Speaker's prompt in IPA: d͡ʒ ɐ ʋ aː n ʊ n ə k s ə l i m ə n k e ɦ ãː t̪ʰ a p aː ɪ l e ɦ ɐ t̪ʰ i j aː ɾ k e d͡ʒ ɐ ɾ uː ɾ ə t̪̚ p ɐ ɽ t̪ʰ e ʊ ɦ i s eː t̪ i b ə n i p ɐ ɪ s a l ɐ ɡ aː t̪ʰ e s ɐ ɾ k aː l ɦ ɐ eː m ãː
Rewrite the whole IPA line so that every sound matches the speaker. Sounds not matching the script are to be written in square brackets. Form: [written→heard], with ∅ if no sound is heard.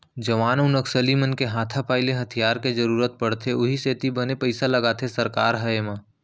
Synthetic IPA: d͡ʒ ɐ ʋ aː n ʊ n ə k s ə l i m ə n k e ɦ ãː t̪ʰ a p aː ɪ l e ɦ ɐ t̪ʰ i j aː ɾ k e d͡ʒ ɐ ɾ uː ɾ ə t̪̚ p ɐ ɽ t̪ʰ e ʊ ɦ i s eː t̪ i b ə n [i→e] p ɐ ɪ s a l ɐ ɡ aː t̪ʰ e s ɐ ɾ k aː [l→ɾ] ɦ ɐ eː m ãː